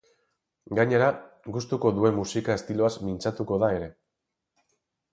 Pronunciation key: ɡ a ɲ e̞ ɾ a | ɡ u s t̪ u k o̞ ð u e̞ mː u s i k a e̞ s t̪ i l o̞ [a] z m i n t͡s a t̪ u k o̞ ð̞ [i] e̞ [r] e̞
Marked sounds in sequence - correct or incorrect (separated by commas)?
correct, incorrect, incorrect